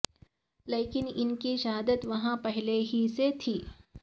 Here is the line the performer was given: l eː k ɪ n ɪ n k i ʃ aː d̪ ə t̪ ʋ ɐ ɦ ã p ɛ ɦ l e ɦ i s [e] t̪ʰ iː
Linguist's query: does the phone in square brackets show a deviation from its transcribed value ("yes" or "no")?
no